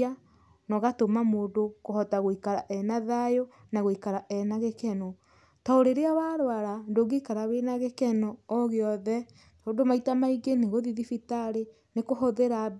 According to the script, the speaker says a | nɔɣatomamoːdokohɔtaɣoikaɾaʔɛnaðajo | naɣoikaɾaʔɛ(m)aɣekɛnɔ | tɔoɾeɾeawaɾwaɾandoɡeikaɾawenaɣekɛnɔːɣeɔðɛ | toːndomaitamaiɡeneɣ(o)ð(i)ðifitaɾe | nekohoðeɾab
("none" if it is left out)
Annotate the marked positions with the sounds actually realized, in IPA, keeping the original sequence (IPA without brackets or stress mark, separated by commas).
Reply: n, o, i